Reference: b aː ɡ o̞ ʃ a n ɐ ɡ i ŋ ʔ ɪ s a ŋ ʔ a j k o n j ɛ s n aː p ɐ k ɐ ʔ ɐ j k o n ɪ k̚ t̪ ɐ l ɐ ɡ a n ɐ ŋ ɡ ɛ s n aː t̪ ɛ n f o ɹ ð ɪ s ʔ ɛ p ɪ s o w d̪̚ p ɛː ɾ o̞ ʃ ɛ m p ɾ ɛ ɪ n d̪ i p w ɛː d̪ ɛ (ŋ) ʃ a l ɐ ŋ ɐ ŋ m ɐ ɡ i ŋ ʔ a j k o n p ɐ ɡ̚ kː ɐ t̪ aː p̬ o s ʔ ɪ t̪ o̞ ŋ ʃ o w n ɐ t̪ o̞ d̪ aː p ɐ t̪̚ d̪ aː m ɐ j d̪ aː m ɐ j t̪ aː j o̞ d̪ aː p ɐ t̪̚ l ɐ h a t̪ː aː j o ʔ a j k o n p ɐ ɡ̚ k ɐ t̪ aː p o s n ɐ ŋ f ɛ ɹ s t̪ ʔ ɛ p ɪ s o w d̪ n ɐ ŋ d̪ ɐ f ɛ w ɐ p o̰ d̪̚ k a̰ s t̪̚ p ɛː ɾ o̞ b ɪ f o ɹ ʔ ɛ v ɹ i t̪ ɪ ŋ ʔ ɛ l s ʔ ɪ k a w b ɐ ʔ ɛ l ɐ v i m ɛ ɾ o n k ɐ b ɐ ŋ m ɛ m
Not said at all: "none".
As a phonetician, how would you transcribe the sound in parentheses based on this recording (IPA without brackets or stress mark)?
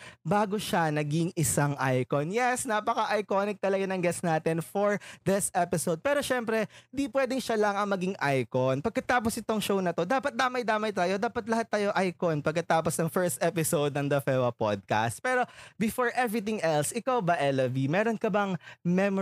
ŋ